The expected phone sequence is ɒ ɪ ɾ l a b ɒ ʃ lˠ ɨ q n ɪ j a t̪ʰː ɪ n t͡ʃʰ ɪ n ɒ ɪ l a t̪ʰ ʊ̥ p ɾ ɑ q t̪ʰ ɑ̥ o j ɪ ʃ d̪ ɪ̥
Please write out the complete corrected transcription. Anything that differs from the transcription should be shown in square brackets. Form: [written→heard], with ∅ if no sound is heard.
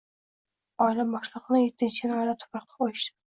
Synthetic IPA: ɒ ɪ [ɾ→∅] l a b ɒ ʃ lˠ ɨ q n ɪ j [a→e] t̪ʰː ɪ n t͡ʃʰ ɪ n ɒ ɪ l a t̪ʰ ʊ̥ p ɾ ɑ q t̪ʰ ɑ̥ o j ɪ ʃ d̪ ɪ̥